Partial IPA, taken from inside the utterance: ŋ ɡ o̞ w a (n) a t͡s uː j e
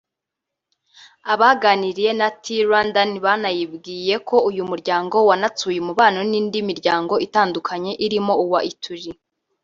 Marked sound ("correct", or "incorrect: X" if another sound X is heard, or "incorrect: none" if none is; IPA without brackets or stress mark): correct